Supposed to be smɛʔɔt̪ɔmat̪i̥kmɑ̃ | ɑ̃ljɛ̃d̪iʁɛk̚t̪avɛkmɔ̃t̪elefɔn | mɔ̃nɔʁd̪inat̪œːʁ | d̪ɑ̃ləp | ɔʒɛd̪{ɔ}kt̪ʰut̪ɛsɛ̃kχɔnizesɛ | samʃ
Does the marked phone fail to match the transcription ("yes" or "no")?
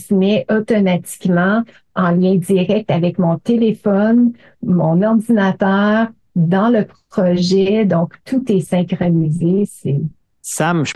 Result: yes